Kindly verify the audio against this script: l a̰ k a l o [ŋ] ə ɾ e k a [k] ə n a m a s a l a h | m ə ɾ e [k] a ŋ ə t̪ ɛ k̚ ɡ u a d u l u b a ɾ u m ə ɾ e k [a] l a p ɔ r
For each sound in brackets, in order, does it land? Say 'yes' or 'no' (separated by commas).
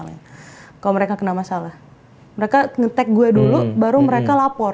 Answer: no, yes, yes, yes